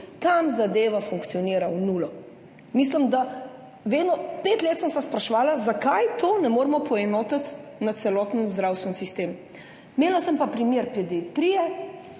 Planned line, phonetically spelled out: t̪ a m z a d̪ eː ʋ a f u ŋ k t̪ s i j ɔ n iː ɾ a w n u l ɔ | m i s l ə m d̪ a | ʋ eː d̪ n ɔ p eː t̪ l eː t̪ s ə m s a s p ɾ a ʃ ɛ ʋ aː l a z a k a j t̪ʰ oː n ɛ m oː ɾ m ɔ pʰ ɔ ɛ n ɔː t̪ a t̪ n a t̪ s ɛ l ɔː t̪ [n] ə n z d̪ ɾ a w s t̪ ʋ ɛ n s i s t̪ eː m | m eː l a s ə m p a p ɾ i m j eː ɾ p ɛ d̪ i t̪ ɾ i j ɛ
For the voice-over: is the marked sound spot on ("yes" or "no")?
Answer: yes